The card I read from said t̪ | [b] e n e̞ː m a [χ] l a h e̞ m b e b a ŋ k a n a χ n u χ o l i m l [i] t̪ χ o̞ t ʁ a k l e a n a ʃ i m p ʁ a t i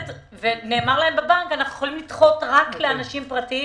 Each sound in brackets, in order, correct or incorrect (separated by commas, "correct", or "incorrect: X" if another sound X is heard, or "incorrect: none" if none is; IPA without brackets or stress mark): incorrect: v, incorrect: ʁ, correct